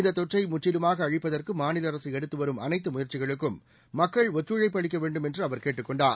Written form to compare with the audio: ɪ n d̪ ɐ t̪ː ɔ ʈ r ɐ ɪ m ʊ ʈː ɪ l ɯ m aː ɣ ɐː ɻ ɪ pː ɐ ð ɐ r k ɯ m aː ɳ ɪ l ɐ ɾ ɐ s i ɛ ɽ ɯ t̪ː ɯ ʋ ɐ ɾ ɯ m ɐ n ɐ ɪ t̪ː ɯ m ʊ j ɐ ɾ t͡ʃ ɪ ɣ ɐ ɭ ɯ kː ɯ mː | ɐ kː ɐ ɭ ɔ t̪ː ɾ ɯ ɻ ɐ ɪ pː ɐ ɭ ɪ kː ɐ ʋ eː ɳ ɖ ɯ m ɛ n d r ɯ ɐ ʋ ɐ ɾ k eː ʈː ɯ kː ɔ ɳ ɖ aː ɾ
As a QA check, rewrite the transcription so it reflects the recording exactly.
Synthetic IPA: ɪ n d̪ ɐ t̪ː ɔ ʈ r ɐ ɪ m ʊ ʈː ɪ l ɯ m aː ɣ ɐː ɻ ɪ pː ɐ ð ɐ r k ɯ m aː n ɪ l ɐ ɾ ɐ s i ɛ ɽ ɯ t̪ː ɯ ʋ ɐ ɾ ɯ m ɐ n ɐ ɪ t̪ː ɯ m ʊ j ɐ ɾ t͡ʃ ɪ ɣ ɐ ɭ ɯ kː ɯ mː | ɐ kː ɐ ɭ ɔ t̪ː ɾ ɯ ɻ ɐ ɪ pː ɐ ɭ ɪ kː ɐ ʋ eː ɳ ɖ ɯ m ɛ n d r ɯ ɐ ʋ ɐ ɾ k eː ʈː ɯ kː ɔ ɳ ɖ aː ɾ